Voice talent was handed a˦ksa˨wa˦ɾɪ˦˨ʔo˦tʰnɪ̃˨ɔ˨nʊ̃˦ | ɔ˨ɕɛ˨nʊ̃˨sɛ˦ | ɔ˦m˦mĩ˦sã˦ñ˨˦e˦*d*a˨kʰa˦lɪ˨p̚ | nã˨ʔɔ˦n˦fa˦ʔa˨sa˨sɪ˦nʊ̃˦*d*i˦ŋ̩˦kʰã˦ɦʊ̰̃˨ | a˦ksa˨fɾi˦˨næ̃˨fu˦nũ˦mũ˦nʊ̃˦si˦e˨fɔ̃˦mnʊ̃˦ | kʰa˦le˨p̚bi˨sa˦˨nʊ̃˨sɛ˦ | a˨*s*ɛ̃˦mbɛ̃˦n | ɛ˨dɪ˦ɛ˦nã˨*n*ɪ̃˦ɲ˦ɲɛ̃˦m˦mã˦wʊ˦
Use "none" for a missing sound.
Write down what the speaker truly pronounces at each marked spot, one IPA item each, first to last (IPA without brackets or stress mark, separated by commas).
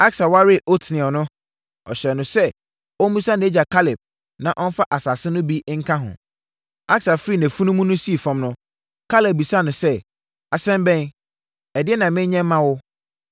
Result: d͡ʑ, b, s, m